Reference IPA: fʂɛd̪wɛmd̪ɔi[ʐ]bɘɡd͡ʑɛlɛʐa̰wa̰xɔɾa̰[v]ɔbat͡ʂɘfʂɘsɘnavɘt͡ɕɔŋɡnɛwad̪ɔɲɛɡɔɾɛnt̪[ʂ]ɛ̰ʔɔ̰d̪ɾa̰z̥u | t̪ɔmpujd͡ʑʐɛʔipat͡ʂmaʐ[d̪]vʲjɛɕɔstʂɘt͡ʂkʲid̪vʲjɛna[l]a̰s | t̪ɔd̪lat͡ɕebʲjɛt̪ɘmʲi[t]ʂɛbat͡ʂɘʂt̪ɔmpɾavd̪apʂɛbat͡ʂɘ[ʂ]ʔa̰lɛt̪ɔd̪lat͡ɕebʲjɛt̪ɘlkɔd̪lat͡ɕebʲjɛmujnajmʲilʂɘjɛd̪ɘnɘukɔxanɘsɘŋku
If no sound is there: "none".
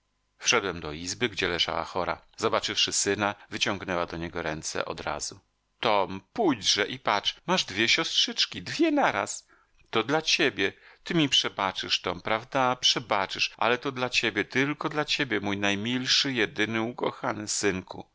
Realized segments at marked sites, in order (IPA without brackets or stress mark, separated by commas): z, z, s, d̪, ɾ, p, ʂ